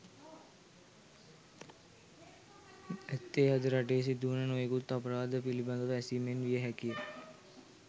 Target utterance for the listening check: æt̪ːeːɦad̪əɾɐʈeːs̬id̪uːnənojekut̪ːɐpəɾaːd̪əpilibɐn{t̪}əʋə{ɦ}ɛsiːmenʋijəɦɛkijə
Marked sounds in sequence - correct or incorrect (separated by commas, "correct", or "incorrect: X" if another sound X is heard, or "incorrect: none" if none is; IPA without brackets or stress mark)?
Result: incorrect: d̪, incorrect: none